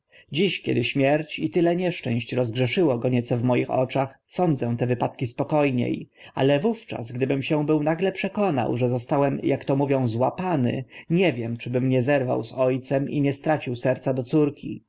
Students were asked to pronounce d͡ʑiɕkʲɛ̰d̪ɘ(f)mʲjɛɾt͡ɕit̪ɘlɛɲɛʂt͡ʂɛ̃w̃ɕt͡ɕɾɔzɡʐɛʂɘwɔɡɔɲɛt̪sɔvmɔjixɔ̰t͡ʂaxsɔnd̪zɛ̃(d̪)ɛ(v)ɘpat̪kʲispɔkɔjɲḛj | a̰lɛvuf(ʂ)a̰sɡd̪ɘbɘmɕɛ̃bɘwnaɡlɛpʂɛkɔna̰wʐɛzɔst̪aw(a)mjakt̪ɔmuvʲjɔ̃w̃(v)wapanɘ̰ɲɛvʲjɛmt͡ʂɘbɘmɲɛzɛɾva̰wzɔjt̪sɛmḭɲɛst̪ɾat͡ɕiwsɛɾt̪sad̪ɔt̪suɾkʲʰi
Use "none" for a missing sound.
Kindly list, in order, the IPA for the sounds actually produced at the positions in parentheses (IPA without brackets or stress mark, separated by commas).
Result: ɕ, t̪, v, t͡ʂ, ɛ, z